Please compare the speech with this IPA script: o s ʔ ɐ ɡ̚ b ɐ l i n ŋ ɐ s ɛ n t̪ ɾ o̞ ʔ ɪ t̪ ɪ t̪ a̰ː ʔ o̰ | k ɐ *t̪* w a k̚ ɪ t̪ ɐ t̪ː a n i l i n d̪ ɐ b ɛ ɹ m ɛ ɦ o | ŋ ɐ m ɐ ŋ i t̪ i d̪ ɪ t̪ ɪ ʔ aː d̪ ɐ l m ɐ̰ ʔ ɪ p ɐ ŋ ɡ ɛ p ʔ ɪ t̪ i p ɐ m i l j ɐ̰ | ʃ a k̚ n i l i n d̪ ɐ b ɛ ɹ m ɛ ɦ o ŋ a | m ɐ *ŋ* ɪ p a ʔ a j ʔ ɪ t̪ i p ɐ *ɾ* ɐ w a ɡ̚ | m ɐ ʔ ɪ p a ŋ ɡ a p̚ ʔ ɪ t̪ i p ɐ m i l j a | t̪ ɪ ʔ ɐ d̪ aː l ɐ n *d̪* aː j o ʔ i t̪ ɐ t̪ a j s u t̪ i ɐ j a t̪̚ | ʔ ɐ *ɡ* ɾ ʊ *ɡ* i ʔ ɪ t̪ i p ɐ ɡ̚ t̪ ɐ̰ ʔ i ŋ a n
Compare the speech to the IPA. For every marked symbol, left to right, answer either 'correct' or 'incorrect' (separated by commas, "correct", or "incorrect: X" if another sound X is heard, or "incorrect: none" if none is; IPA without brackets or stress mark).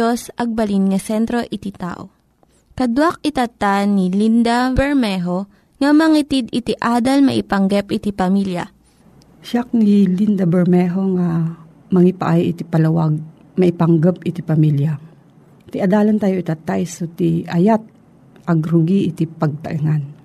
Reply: incorrect: d̪, correct, incorrect: l, incorrect: t̪, correct, correct